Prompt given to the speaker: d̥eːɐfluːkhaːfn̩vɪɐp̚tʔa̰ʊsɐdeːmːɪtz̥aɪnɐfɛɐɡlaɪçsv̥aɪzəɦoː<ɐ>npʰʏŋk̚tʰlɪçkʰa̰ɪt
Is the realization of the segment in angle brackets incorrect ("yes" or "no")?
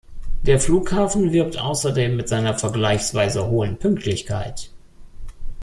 yes